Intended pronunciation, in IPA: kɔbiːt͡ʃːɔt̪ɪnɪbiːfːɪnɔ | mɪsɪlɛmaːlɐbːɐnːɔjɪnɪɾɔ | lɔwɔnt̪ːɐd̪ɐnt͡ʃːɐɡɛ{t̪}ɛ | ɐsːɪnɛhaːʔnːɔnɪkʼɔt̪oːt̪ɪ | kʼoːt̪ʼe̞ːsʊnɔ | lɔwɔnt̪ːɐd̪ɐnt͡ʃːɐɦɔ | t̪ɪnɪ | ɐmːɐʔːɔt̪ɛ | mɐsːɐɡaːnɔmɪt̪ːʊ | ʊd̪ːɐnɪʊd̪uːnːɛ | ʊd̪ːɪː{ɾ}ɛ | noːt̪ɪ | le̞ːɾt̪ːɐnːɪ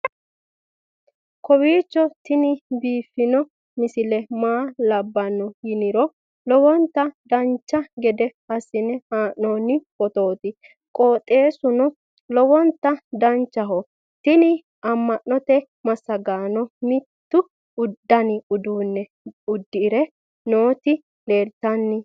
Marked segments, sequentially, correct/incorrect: incorrect: d̪, correct

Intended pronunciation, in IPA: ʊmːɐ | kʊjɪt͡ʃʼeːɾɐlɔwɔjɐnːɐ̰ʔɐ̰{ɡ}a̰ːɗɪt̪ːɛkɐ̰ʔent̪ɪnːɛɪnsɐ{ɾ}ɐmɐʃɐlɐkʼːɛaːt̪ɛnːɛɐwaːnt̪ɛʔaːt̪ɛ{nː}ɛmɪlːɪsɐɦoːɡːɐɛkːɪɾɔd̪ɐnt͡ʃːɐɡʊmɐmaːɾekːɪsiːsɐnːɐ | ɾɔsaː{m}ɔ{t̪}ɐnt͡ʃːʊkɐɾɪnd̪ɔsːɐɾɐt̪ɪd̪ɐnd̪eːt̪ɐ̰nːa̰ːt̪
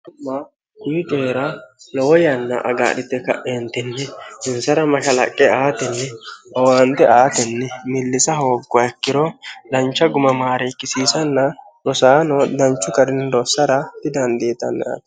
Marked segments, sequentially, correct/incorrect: correct, correct, correct, incorrect: n, incorrect: d̪

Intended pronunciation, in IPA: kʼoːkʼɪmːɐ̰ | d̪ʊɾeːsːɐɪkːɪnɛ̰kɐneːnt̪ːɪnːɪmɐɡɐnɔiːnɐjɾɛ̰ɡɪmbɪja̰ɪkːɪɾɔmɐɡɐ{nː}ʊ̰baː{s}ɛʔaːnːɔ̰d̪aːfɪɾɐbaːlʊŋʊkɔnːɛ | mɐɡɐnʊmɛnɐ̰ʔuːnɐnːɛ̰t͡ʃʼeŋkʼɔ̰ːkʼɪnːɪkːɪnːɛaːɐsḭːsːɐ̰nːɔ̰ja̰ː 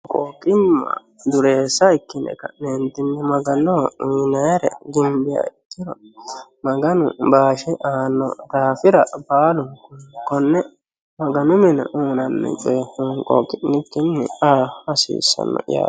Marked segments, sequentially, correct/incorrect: incorrect: n, incorrect: ʃ

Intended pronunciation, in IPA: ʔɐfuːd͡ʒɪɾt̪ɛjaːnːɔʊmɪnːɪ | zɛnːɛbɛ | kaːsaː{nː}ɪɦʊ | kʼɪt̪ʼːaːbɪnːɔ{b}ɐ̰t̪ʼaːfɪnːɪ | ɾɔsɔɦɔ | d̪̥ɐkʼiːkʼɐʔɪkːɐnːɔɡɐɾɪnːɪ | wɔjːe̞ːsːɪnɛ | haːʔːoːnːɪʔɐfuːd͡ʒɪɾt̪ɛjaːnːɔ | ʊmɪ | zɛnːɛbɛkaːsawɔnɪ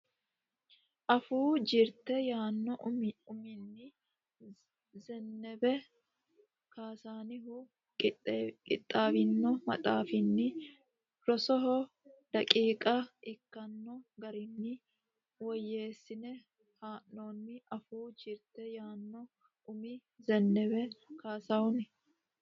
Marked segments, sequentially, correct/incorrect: incorrect: n, incorrect: m

